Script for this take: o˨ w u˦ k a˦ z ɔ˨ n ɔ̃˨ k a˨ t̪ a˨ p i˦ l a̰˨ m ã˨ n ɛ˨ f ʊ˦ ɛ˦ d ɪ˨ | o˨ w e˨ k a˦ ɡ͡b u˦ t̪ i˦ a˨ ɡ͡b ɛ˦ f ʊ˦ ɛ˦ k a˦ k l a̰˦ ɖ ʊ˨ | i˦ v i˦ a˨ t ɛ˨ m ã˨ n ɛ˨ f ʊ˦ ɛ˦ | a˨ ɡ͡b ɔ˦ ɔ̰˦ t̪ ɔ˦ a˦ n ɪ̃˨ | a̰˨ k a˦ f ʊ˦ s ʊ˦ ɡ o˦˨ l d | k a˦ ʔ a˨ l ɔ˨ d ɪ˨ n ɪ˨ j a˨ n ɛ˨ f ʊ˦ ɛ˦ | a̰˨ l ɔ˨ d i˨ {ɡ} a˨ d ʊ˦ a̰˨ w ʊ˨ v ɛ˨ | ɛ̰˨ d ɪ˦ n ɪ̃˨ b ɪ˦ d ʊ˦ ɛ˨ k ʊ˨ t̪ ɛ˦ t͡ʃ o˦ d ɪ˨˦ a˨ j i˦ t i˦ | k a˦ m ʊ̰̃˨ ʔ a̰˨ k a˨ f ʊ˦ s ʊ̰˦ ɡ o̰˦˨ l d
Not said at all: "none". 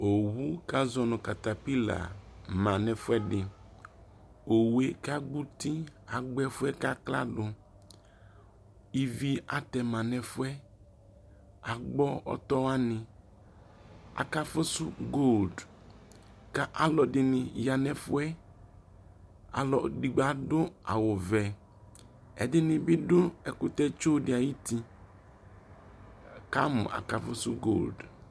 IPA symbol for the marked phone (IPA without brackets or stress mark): ɡ͡b